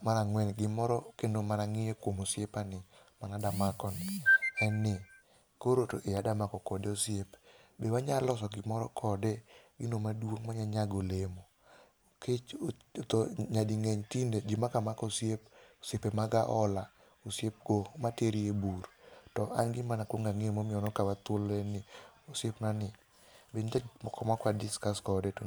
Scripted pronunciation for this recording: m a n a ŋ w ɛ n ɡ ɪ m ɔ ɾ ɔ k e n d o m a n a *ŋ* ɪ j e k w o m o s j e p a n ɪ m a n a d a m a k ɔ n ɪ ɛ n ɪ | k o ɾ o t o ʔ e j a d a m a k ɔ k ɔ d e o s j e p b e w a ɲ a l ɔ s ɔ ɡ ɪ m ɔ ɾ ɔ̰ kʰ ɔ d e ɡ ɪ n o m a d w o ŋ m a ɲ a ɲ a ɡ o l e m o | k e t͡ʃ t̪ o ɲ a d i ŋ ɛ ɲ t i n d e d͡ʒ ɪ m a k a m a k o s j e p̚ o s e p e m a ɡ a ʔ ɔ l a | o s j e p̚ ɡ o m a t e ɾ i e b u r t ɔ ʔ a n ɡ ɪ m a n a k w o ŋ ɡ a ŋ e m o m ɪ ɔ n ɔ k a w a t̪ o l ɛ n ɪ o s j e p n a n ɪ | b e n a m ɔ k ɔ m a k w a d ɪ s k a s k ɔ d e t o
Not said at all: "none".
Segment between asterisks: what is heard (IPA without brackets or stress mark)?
ŋ